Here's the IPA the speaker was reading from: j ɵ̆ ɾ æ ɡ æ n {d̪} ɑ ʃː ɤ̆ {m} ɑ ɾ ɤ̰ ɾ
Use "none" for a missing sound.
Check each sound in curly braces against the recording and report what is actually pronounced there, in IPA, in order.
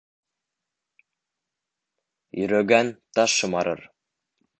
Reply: t̪, m

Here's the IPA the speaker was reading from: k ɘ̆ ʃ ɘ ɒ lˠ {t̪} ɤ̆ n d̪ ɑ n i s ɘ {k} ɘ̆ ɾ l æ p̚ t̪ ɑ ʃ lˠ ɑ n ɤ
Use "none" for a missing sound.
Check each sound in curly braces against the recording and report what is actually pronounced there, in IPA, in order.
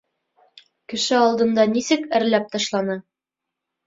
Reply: d̪, k

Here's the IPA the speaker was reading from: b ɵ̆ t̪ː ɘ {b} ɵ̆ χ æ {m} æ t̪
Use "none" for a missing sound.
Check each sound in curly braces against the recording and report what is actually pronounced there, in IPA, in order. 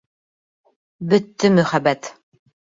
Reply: m, b

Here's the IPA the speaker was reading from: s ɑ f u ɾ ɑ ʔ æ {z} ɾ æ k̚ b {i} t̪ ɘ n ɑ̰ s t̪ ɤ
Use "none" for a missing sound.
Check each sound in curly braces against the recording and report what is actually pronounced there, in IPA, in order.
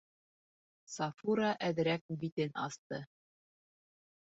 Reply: ð, i

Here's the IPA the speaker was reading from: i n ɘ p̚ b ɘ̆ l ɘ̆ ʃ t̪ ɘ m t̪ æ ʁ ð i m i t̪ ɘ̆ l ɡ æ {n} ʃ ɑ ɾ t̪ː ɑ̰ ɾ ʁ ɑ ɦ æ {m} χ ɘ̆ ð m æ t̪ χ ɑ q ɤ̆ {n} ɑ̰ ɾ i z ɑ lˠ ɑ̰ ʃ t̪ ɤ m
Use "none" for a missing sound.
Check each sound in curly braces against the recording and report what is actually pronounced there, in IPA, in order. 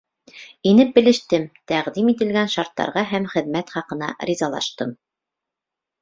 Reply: n, m, n

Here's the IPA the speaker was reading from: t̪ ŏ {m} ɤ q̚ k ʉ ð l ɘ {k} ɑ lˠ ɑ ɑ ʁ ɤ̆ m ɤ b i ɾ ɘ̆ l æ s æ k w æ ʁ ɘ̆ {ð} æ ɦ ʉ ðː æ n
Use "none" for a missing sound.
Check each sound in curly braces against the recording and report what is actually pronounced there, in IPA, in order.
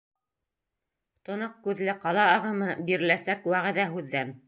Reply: n, q, ð

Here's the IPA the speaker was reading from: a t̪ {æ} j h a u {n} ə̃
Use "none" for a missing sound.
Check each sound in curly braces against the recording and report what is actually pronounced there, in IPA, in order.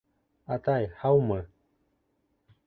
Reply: a, m

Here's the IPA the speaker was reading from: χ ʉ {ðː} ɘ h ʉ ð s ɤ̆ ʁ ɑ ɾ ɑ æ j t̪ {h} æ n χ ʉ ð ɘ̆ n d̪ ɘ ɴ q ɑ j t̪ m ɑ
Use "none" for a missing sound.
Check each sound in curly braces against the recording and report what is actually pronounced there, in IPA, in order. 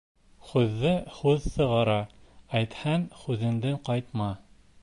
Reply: ðː, h

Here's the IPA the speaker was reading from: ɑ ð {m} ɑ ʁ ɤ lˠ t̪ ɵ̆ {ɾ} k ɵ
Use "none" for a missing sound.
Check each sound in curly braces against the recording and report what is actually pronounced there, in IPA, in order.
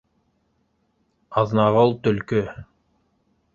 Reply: n, l

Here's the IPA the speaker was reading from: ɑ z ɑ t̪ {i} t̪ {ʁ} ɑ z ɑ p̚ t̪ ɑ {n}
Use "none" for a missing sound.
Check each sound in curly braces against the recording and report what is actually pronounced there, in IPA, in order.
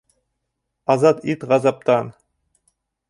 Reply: i, ʁ, n

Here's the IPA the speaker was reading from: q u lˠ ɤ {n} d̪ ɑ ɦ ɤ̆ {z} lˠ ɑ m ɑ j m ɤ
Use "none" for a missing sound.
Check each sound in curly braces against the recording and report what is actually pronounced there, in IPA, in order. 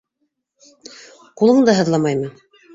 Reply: ɴ, ð

